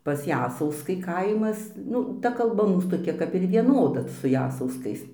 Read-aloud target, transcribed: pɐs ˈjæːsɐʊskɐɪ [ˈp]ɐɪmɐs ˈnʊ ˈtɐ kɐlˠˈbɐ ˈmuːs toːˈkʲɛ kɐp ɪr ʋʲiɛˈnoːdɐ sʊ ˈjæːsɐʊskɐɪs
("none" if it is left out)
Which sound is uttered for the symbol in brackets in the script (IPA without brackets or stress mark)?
k